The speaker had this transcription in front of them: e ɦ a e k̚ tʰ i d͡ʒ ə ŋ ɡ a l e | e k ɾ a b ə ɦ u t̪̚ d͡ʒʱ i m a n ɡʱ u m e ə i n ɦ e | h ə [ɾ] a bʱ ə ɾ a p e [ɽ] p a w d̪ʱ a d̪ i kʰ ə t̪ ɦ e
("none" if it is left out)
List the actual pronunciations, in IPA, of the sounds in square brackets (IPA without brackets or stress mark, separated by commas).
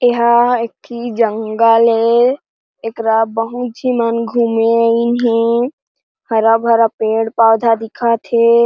ɾ, ɽ